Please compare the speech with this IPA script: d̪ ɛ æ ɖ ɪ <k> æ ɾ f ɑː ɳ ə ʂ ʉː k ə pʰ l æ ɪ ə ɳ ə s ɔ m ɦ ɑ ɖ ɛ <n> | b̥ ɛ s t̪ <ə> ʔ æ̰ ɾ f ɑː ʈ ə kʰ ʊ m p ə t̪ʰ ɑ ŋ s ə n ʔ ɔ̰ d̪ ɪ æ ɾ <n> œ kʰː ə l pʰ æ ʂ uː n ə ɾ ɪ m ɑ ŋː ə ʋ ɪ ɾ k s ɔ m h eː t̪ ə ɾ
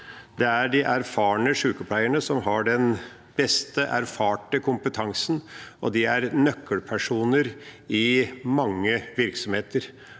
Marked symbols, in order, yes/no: no, yes, yes, yes

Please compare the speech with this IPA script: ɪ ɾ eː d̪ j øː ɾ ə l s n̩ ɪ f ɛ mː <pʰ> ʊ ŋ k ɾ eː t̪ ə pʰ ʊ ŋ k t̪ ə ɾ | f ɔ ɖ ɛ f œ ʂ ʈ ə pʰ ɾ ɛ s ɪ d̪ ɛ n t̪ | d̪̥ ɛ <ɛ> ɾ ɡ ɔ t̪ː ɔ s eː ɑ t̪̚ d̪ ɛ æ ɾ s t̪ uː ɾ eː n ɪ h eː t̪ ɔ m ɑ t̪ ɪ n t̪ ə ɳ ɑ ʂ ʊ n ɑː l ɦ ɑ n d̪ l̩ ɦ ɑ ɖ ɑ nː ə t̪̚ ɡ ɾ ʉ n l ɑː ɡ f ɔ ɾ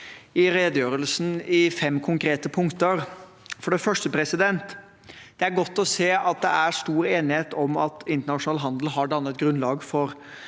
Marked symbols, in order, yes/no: no, no

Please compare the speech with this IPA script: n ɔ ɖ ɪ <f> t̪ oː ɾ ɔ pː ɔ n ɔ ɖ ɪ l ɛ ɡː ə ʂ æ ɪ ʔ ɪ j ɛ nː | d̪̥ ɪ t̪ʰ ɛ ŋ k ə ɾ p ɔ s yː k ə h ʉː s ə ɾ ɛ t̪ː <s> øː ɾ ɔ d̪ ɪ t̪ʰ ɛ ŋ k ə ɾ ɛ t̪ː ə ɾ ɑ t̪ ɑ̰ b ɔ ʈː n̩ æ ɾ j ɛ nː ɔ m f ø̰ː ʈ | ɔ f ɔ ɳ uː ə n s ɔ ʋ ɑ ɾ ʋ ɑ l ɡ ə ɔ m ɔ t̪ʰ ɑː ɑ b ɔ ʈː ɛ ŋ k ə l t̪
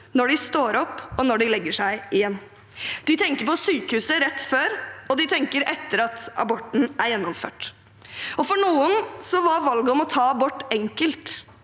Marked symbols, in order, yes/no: no, no

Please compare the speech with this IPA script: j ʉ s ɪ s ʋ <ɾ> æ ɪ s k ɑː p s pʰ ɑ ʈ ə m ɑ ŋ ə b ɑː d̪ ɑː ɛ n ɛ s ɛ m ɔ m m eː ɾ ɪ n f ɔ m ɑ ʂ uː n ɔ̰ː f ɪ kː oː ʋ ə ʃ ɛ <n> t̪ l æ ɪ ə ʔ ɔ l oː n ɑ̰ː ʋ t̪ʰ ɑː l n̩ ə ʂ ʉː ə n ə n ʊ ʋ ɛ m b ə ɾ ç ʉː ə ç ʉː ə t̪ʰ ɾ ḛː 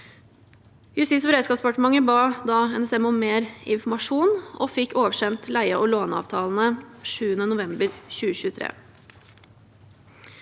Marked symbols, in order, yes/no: yes, yes

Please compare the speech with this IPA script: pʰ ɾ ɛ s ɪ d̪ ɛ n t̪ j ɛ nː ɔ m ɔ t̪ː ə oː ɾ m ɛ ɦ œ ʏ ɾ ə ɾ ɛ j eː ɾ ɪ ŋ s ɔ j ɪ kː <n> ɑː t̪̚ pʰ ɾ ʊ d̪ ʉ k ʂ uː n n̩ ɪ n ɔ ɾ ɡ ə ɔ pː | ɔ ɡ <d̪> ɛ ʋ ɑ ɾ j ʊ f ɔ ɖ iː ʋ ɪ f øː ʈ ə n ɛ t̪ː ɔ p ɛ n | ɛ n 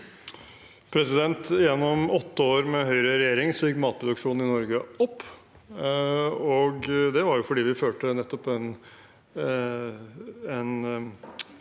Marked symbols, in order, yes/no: no, yes

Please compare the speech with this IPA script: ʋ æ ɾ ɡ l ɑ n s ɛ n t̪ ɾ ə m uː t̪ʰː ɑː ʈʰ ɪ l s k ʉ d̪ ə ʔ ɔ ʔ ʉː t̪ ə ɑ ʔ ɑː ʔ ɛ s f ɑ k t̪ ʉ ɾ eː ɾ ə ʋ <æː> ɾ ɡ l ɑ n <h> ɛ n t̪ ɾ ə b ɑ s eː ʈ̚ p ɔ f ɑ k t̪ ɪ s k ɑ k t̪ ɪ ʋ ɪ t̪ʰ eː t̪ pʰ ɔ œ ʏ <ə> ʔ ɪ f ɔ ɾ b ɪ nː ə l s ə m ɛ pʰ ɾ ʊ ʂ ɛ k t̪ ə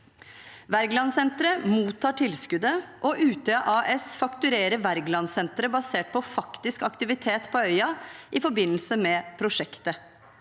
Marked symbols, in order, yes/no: no, no, no

